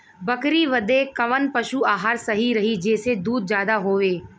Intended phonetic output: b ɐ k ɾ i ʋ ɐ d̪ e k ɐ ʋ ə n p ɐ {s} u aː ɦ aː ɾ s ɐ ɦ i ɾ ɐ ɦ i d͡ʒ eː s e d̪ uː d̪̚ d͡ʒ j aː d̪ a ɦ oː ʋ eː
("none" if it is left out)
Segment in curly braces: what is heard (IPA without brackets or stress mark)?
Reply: ʃ